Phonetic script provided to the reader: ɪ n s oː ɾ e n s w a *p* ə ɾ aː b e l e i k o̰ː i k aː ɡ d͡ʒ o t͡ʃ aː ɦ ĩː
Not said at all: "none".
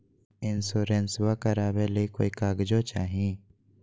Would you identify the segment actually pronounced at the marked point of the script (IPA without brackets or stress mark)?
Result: k